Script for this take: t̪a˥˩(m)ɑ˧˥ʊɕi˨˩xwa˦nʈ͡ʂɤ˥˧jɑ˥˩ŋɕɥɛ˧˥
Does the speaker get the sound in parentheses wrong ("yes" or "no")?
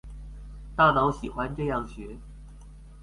yes